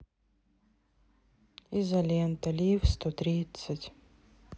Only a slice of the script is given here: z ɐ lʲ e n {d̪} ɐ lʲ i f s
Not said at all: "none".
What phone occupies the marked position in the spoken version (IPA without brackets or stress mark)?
t̪